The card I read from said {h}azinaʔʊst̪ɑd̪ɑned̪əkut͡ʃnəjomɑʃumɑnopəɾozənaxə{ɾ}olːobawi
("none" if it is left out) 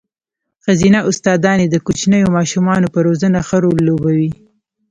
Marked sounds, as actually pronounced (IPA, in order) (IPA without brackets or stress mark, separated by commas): x, ɾ